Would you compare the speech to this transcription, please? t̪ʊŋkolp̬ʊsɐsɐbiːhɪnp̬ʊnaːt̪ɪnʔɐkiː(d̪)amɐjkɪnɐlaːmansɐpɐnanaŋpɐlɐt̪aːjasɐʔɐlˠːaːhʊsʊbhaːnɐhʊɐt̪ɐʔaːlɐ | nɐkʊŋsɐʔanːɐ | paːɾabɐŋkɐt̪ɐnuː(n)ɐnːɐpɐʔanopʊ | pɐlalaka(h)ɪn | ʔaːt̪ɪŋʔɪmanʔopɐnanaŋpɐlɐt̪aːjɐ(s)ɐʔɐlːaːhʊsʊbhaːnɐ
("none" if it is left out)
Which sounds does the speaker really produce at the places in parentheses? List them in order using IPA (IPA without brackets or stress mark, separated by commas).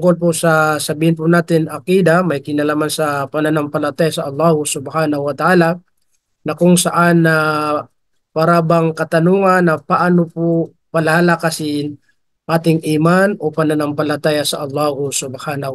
d̪, ŋ, s, s